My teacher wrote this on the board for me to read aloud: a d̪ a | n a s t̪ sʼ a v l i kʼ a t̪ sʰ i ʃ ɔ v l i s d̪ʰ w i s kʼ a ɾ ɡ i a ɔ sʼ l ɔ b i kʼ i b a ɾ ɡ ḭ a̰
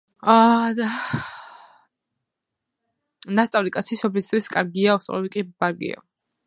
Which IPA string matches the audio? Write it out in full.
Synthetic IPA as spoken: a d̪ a | n a s t̪ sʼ a v l i kʼ a t̪ sʰ i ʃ ɔ b l i s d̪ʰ w i s kʼ a ɾ ɡ i a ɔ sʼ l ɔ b i kʼ i b a ɾ ɡ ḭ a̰